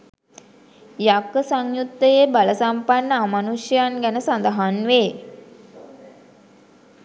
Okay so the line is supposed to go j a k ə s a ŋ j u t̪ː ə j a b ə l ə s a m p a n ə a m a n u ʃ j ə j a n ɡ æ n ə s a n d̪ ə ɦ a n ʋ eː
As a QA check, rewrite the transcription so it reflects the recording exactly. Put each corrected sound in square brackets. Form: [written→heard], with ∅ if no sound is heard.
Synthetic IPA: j a k ə s a ŋ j u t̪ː ə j [a→e] b [ə→a] l ə s a m p a [n→nː] ə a m a n u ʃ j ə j a n ɡ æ n ə s a n d̪ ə ɦ a n ʋ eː